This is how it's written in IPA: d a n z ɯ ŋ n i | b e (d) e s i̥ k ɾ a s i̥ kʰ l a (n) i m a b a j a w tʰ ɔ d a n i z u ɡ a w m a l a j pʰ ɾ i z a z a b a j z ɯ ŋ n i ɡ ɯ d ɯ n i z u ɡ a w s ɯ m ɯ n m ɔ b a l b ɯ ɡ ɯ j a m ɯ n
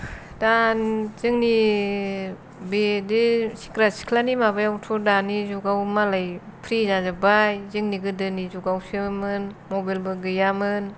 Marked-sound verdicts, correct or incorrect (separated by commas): correct, correct